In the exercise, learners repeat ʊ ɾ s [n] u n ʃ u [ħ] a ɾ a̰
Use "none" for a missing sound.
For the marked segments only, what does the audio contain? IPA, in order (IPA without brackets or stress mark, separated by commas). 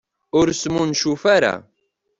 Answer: m, f